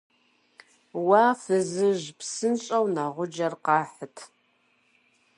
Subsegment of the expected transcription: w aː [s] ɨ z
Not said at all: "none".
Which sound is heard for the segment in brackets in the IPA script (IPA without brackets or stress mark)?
f